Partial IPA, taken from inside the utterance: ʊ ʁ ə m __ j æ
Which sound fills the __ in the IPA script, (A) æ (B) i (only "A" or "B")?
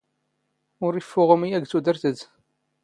B